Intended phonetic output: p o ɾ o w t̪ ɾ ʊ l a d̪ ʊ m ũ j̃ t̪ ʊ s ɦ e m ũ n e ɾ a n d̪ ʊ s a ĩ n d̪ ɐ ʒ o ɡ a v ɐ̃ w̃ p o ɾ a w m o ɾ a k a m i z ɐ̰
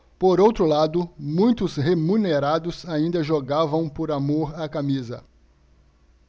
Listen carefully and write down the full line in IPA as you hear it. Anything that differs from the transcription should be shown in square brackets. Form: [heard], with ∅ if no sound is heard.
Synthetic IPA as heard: p o ɾ o w t̪ ɾ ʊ l a d̪ ʊ m ũ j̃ t̪ ʊ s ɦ e m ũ n e ɾ a [∅] d̪ ʊ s a ĩ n d̪ ɐ ʒ o ɡ a v ɐ̃ w̃ p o ɾ a [∅] m o ɾ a k a m i z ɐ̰